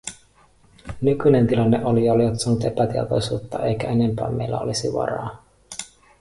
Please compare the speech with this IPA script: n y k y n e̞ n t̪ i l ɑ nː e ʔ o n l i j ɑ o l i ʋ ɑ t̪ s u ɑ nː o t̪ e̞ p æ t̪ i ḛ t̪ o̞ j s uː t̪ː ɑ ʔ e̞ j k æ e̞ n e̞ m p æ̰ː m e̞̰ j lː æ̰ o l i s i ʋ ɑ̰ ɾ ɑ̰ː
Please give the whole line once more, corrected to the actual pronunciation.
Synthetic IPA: n y k y n e̞ n t̪ i l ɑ nː e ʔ o l i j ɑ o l i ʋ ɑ t̪ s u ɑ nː u t̪ e̞ p æ t̪ i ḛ t̪ o̞ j s uː t̪ː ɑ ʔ e̞ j k æ e̞ n e̞ m p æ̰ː m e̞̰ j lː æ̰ o l i s i ʋ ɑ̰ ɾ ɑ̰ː

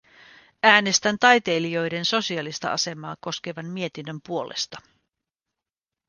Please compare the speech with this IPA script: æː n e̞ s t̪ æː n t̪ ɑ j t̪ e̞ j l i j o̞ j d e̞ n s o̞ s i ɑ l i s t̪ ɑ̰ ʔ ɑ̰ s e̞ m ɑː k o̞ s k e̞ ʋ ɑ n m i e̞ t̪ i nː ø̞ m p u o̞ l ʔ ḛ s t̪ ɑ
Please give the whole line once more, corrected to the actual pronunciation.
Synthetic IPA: æː n e̞ s t̪ æ n t̪ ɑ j t̪ e̞ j l i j o̞ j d e̞ n s o̞ s i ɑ l i s t̪ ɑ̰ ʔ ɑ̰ s e̞ m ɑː k o̞ s k e̞ ʋ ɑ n m i e̞ t̪ i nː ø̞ m p u o̞ l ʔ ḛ s t̪ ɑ

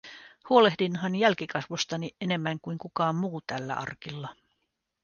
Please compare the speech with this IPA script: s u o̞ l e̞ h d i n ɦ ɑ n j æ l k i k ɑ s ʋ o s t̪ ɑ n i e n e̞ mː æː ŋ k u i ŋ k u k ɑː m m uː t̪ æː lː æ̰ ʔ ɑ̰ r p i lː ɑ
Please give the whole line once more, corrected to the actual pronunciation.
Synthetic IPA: h u o̞ l e̞ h d i n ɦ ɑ n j æ l k i k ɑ s ʋ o s t̪ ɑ n i e n e̞ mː æ ŋ k u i ŋ k u k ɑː m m uː t̪ æ lː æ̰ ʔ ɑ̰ r k i lː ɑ

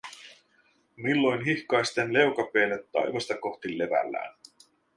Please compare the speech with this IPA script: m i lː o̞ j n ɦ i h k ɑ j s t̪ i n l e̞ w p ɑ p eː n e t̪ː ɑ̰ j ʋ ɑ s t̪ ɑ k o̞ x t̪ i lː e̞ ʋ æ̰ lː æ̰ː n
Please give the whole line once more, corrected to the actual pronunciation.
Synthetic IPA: m i lː o̞ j n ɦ i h k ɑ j s t̪ e n l e̞ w k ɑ p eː n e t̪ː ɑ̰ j ʋ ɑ s t̪ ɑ k o̞ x t̪ i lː e̞ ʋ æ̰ lː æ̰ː n

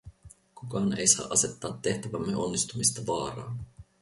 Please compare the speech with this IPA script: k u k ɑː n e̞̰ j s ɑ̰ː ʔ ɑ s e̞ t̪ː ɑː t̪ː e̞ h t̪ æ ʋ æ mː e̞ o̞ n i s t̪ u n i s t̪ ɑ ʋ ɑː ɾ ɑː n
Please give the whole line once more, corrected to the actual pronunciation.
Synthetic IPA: k u k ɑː n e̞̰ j s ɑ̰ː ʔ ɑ s e̞ t̪ː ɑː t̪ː e̞ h t̪ æ ʋ æ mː e̞ o̞ nː i s t̪ u m i s t̪ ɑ ʋ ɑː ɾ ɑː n

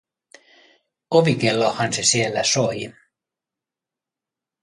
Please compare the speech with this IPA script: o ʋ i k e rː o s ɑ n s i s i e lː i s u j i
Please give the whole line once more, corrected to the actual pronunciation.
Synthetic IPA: o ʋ i k e lː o h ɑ n s e s i e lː æ s o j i

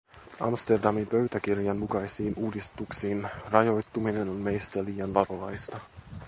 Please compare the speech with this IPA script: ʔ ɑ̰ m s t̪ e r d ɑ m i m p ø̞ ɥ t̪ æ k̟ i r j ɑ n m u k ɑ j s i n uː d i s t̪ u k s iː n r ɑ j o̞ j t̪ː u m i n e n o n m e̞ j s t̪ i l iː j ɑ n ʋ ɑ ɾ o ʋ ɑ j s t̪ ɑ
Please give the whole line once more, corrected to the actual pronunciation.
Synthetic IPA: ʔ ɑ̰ m s t̪ e r d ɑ m i m p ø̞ ɥ t̪ æ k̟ i r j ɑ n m u k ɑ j s iː n uː d i s t̪ u k s iː n r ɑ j o̞ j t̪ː u m i n e n o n m e̞ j s t̪ æ l iː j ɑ n ʋ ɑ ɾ o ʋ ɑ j s t̪ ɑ

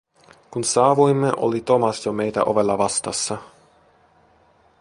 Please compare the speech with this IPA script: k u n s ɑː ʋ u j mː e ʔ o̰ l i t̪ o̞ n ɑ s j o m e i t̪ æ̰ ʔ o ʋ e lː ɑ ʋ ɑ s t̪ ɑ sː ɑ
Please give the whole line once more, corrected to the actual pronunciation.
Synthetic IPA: k u n s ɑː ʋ u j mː e ʔ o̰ l i t̪ o̞ m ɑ s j o m e j t̪ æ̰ ʔ o ʋ e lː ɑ ʋ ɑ s t̪ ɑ sː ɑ

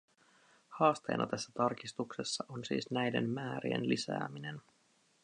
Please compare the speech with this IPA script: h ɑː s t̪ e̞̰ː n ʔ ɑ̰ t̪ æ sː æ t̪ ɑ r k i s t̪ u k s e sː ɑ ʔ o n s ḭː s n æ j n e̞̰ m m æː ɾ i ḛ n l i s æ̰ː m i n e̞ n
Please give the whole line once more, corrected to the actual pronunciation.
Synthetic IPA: h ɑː s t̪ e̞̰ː n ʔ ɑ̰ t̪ æ sː æ t̪ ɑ r k i s t̪ u k s e sː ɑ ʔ o n s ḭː s n æ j d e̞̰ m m æː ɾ i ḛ n l i s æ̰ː m i n e̞ n

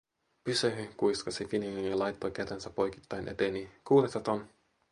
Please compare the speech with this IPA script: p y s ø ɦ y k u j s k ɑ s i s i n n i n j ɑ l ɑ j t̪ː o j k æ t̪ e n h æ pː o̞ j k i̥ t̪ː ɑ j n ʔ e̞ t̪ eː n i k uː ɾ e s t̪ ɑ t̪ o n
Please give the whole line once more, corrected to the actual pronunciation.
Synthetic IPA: p y s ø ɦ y k u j s k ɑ s i f i n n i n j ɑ l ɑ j t̪ː o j k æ t̪ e n s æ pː o̞ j k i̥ t̪ː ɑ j n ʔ e̞ t̪ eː n i k uː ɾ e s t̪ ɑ t̪ o n

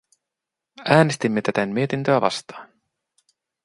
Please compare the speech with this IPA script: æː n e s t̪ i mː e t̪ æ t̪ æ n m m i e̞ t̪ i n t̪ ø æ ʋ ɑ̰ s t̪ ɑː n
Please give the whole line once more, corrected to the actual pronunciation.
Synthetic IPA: æː n e s t̪ i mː e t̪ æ t̪ æ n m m i e̞ t̪ i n t̪ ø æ ʋ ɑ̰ s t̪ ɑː n

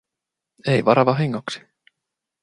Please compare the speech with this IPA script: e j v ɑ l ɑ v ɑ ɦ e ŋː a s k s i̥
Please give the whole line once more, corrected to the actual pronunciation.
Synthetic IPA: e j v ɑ ɾ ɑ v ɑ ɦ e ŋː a k s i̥

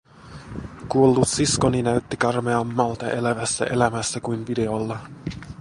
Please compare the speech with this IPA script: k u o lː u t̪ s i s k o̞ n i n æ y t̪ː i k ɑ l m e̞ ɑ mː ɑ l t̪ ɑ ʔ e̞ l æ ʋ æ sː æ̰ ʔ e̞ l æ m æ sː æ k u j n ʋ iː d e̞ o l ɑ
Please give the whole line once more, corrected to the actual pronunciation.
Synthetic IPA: k u o lː u t̪ s i s k o̞ n i n æ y t̪ː i k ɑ r m e̞ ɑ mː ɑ l t̪ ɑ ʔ e̞ l æ ʋ æ sː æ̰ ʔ e̞ l æ m æ sː æ k u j n ʋ i d e̞ o lː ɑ

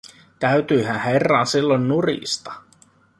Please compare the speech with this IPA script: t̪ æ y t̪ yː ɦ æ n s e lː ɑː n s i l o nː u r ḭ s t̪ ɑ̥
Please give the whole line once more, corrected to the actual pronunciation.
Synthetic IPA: t̪ æ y t̪ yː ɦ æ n h e rː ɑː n s i lː o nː u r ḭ s t̪ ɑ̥

